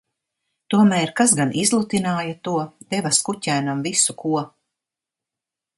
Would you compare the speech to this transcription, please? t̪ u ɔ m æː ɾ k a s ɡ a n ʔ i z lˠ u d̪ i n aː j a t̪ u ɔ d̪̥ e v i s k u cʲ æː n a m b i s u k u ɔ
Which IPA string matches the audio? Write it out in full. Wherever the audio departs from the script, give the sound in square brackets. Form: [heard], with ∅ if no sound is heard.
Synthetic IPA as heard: t̪ u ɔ m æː ɾ k a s ɡ a n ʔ i z lˠ u [t̪] i n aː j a t̪ u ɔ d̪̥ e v [a] s k u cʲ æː n a m [v] i s u k u ɔ